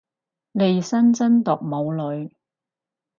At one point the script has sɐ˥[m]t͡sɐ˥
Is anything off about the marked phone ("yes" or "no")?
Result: yes